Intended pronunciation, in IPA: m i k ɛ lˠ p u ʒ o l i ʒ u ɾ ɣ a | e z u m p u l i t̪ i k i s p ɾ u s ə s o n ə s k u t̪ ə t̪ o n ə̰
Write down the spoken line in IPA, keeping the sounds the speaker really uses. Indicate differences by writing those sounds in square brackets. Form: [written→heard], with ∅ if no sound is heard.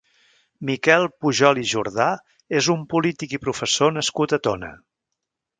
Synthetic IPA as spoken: m i k ɛ lˠ p u ʒ [o→ɔ] l i ʒ u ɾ [ɣ→ð] a | e z u m p u l i t̪ i k i [s→∅] p ɾ u [s→f] ə s o n ə s k u t̪ ə t̪ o n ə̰